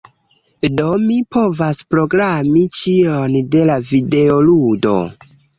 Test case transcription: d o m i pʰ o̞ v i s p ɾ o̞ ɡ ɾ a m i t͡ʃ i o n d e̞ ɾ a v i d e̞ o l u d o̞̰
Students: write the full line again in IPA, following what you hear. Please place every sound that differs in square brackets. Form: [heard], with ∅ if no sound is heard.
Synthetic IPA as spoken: d o m i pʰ o̞ v [a] s p ɾ o̞ ɡ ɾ a m i t͡ʃ i o n d e̞ [l] a v i d e̞ o l u d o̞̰